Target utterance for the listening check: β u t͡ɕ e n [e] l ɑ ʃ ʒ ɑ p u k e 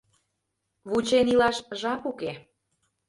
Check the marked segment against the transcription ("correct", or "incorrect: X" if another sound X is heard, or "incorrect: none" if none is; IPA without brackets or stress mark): incorrect: i